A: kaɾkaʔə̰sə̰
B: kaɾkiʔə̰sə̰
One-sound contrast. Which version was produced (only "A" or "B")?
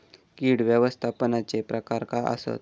A